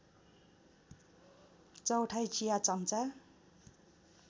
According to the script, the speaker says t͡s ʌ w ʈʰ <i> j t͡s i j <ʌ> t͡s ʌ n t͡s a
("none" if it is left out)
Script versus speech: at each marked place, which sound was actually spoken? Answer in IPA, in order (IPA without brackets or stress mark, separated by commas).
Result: a, a